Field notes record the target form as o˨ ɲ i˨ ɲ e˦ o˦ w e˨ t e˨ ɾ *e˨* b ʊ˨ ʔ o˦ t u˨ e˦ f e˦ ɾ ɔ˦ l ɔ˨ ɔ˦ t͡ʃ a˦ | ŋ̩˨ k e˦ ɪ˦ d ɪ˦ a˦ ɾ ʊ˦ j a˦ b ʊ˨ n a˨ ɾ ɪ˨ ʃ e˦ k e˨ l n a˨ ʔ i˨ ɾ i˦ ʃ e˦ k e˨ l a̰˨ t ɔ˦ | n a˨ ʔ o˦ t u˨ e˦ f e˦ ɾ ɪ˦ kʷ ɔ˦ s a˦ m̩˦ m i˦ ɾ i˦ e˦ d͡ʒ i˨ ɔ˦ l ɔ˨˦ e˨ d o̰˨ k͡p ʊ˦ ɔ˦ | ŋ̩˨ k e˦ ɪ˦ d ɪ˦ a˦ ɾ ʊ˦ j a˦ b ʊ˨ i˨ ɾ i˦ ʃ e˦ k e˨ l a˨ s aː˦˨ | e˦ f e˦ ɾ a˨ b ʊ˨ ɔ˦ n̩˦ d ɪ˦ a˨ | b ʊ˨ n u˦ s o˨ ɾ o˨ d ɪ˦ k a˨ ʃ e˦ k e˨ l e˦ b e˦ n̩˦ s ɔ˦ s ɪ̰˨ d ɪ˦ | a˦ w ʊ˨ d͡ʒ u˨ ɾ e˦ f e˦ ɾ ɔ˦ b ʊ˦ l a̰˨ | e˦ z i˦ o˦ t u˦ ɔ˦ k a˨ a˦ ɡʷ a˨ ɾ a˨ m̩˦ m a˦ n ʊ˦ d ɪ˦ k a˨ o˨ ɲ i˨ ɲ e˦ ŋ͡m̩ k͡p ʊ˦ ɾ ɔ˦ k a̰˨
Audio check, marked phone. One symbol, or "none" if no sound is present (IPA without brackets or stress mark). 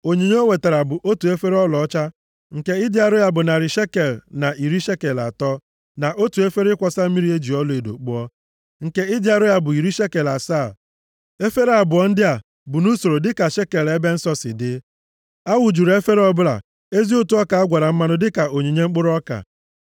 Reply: a˨